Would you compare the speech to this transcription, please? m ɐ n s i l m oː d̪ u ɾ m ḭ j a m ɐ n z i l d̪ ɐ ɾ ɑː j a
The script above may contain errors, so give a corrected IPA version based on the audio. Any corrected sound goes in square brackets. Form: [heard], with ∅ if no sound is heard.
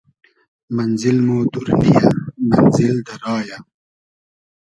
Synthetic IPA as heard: m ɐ n [z] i l m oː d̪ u ɾ [n] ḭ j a m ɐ n z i l d̪ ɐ ɾ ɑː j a